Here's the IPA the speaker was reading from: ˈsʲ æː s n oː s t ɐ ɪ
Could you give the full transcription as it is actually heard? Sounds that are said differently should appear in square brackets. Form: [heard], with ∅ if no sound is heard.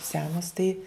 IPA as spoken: ˈsʲ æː [∅] n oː s t ɐ ɪ